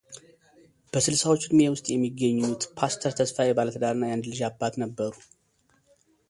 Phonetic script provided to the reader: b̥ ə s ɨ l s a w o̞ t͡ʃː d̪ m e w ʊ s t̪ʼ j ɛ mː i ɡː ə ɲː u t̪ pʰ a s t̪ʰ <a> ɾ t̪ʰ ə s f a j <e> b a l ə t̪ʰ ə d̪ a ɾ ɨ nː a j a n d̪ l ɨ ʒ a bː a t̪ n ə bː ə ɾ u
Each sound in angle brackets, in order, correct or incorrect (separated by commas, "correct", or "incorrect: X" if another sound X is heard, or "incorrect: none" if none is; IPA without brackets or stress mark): incorrect: ə, incorrect: ɛ